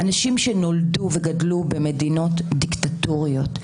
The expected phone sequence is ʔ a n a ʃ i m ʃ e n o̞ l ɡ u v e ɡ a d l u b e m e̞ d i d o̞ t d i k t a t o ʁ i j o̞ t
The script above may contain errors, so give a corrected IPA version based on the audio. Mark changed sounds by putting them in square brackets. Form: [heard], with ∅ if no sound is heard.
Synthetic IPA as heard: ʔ a n a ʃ i m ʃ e n o̞ l [d] u v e ɡ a d l u b e m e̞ d i [n] o̞ t d i k t a t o ʁ i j o̞ t